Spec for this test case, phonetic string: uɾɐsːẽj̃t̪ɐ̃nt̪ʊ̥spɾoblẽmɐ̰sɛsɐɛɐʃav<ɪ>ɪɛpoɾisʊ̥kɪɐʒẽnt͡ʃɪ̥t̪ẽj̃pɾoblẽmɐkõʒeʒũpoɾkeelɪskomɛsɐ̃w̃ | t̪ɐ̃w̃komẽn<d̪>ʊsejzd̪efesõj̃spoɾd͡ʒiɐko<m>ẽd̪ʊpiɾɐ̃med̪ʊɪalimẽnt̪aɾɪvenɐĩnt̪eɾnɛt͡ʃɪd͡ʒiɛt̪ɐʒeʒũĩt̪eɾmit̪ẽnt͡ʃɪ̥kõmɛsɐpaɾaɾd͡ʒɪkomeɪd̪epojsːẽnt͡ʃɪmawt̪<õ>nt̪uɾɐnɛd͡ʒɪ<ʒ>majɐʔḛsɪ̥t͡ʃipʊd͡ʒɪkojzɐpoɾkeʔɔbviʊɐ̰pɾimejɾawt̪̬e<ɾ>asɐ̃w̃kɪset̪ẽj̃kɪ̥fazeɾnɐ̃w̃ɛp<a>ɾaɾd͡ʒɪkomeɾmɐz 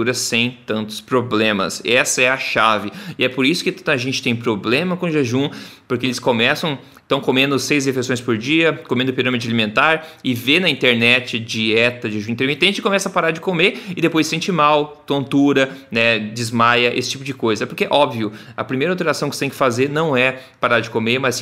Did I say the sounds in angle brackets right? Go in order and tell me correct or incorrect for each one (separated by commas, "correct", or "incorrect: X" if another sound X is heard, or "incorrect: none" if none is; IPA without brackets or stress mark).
correct, correct, correct, correct, incorrect: z, correct, correct